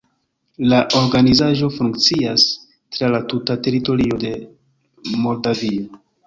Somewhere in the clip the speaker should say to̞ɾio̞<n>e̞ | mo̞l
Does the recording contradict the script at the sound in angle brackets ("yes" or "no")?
yes